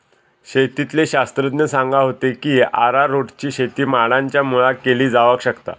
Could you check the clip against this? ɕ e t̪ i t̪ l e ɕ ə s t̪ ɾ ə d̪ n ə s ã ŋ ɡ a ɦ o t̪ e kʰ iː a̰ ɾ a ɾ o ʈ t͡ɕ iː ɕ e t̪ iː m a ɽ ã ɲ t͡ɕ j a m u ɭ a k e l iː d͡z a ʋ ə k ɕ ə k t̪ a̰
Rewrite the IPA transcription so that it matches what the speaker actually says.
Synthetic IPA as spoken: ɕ e t̪ i t̪ l e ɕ a s t̪ ɾ ə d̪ n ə s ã ŋ ɡ a ɦ o t̪ e k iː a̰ ɾ a ɾ o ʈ t͡ɕ iː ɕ e t̪ iː m a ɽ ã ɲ t͡ɕ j a m u ɭ a k e l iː d͡z a ʋ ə k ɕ ə k t̪ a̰